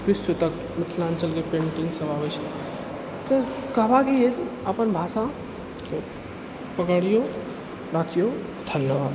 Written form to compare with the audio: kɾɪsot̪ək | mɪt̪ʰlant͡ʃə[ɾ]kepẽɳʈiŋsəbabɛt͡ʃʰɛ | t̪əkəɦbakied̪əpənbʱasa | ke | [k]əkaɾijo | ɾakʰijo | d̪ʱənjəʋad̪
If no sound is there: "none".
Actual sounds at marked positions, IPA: l, p

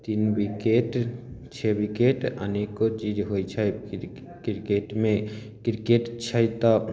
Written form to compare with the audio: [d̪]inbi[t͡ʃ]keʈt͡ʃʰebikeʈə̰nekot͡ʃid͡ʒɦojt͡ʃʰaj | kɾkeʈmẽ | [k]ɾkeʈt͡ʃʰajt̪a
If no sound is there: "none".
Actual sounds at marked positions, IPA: t̪, none, k

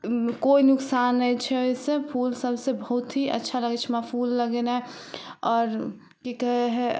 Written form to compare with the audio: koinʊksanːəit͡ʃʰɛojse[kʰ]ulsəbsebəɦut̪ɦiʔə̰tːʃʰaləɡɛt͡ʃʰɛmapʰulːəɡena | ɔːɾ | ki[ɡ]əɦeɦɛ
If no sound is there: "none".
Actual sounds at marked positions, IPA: pʰ, k

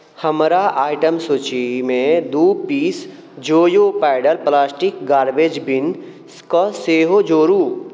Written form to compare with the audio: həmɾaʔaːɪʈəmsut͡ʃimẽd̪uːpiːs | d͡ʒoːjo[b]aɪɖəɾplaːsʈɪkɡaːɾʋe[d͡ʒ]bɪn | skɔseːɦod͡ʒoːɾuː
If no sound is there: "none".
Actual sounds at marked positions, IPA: p, d͡ʒ

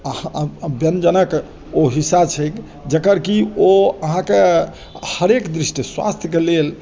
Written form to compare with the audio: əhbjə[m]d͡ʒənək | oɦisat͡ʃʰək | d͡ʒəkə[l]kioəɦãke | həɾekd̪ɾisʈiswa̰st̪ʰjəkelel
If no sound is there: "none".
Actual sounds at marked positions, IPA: n, ɾ

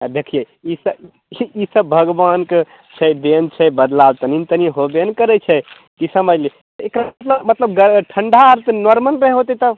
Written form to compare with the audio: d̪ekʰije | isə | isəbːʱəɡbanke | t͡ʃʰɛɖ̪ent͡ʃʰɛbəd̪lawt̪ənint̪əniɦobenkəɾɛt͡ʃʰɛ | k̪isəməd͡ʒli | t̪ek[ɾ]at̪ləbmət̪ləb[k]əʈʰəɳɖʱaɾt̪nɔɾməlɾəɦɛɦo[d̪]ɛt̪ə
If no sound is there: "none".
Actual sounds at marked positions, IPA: ɾ, ɡ, t̪

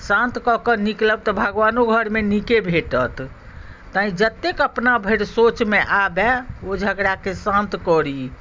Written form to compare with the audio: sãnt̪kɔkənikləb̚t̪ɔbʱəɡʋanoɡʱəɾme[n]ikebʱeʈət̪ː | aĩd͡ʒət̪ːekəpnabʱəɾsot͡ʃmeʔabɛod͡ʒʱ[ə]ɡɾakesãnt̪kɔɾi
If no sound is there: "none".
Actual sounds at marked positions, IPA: n, ə

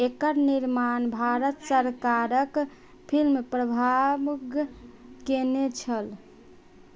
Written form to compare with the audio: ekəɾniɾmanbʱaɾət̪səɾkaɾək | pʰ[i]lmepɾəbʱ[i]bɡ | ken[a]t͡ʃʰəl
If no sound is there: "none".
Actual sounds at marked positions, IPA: i, a, e

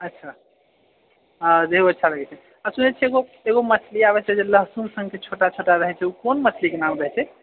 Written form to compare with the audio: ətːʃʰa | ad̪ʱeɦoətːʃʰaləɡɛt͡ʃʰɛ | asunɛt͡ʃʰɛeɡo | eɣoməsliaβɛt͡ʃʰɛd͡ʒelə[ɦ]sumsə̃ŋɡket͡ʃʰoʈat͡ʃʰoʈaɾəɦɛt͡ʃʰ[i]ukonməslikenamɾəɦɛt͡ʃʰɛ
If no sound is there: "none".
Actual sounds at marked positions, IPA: ɦ, ɛ

